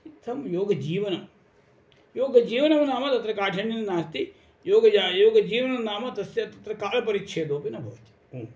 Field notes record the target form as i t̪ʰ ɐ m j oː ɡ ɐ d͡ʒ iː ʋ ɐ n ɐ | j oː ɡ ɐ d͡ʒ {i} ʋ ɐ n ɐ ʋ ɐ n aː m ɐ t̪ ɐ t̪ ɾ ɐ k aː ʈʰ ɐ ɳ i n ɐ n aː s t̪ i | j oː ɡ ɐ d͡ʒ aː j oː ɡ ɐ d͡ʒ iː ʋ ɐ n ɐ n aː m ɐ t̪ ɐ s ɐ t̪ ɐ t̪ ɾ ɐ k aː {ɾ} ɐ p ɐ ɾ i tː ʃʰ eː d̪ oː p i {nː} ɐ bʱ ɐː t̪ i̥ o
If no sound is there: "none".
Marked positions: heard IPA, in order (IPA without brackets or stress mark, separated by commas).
iː, l, n